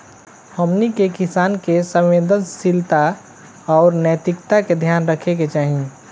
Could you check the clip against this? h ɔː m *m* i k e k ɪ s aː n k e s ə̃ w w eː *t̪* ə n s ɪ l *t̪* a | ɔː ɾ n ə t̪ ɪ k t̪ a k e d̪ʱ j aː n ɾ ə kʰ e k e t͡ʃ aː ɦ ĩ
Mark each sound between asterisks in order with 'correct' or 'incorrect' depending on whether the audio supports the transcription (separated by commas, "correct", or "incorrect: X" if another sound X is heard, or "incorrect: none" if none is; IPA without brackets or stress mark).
incorrect: n, incorrect: d̪, correct